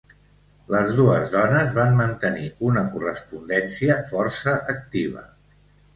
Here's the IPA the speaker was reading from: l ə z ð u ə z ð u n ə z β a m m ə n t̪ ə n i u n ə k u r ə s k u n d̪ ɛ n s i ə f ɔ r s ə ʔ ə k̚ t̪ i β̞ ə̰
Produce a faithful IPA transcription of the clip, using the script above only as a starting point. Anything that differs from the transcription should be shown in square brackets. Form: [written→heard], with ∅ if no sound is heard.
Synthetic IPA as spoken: l ə z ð u ə z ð [u→ɔ] n ə z β a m m ə n t̪ ə n i u n ə k u r ə s [k→p] u n d̪ ɛ n s i ə f ɔ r s ə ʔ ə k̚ t̪ i β̞ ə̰